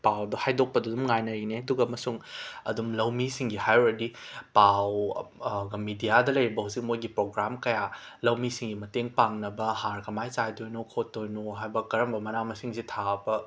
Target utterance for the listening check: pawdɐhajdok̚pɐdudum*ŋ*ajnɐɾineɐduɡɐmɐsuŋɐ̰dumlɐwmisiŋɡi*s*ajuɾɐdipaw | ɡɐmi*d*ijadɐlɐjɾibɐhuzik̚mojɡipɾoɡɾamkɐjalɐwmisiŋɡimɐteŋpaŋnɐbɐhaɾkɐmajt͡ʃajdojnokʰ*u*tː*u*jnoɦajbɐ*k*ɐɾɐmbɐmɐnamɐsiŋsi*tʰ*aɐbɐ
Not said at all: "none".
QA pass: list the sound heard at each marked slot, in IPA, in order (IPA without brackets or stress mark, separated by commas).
ŋ, h, d, o, o, k, tʰ